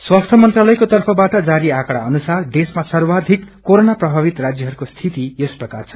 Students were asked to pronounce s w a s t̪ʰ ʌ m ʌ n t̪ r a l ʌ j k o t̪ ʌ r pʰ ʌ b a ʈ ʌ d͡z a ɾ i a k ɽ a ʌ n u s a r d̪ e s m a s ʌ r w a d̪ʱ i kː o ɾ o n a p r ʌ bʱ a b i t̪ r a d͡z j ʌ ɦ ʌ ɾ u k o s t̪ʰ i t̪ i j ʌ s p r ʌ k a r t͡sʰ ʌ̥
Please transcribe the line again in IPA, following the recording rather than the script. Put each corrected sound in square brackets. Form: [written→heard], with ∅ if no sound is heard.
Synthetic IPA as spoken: s w a s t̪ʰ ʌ m ʌ n t̪ r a l ʌ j k o t̪ ʌ r pʰ ʌ b a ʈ ʌ d͡z a ɾ i a k ɽ a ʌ n u s a r d̪ e s m a s ʌ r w a d̪ʱ i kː o ɾ o n a p r ʌ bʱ a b i t̪ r a d͡z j ʌ ɦ ʌ ɾ u k o s t̪ʰ i t̪ i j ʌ s p r ʌ k a r t͡sʰ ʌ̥